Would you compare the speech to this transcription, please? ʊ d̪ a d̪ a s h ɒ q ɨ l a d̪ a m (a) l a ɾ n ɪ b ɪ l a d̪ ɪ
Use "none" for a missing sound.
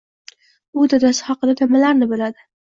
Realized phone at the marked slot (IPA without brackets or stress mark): a